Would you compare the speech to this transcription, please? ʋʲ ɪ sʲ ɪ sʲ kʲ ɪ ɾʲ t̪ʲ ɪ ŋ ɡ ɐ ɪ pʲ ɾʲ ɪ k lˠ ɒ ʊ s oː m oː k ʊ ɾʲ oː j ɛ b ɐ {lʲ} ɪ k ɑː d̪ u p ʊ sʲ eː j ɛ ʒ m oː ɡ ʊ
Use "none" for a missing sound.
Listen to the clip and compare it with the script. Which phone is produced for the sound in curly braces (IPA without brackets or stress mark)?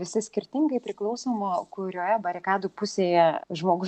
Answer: ɾʲ